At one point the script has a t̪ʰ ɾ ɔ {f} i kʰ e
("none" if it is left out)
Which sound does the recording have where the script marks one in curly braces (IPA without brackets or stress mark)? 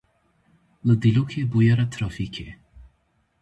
f